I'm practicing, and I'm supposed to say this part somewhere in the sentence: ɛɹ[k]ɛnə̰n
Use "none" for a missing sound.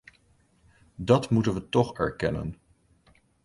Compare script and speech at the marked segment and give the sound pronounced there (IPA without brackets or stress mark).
k